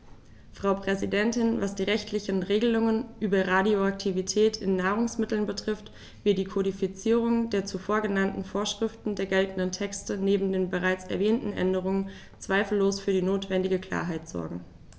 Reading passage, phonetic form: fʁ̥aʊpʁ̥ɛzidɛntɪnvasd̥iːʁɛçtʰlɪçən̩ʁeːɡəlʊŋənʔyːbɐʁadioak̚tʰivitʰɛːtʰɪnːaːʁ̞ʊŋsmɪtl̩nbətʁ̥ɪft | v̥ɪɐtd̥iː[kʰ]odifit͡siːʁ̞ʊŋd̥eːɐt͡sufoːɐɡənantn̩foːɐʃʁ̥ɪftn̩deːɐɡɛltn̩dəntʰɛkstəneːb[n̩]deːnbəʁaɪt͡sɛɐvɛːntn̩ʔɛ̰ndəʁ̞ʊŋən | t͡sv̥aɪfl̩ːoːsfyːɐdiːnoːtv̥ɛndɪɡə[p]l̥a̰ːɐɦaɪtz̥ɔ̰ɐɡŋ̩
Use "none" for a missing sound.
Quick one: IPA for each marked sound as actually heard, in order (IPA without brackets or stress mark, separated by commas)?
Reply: kʰ, m̩, k